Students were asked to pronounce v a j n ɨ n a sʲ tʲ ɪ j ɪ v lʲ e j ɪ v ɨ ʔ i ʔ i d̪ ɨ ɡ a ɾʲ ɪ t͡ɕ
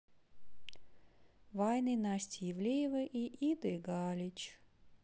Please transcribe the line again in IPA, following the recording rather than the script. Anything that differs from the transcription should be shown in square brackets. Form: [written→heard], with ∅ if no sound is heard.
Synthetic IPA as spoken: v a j n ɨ n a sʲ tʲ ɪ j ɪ v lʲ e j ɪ v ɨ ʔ i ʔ i d̪ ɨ ɡ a [ɾʲ→lʲ] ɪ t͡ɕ